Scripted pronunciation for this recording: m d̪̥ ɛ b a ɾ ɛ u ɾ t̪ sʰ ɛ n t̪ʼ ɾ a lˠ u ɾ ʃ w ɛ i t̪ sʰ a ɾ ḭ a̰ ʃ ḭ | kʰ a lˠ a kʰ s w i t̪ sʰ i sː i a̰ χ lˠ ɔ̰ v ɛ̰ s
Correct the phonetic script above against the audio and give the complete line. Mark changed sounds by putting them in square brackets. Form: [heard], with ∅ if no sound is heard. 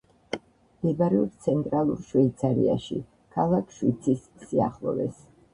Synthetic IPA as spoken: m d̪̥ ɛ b a ɾ ɛ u ɾ t̪ sʰ ɛ n t̪ʼ ɾ a lˠ u ɾ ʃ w ɛ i t̪ sʰ a ɾ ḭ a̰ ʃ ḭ | kʰ a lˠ a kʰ [ʃ] w i t̪ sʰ i sː i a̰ χ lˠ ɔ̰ v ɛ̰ s